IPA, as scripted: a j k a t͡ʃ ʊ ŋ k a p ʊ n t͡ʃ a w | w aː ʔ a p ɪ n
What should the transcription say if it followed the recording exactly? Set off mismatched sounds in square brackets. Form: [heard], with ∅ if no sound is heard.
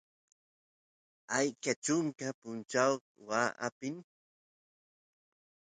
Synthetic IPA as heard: a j k a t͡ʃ ʊ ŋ k a p ʊ n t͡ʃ a w | w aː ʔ a p ɪ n

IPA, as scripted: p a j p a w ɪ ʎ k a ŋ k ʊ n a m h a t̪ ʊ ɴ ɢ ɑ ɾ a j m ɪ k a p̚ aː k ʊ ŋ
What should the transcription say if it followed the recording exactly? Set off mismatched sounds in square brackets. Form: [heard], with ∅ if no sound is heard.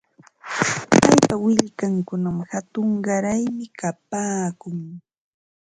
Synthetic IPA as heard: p a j p a w ɪ ʎ k a ŋ k ʊ n a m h a t̪ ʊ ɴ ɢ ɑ ɾ a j m ɪ k a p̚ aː k ʊ ŋ

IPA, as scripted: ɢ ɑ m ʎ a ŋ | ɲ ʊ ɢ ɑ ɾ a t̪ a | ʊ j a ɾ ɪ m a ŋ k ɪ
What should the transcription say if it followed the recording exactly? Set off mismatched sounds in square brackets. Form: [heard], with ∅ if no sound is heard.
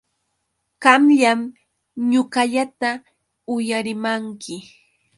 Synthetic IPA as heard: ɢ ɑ m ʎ a [m] | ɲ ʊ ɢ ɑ [ʎ] a t̪ a | ʊ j a ɾ ɪ m a ŋ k ɪ

